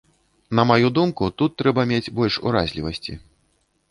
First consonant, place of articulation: alveolar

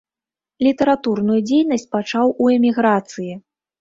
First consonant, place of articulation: alveolar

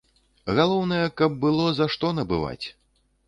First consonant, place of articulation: velar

